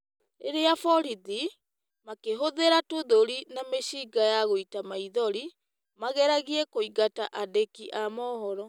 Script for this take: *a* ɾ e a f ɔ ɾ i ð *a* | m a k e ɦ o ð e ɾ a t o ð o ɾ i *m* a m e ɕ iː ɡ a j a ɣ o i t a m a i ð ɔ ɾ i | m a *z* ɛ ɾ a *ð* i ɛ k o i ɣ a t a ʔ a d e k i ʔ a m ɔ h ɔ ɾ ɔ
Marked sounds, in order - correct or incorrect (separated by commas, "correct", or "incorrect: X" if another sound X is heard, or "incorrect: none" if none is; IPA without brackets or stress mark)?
incorrect: e, incorrect: i, incorrect: n, incorrect: ɣ, incorrect: ɣ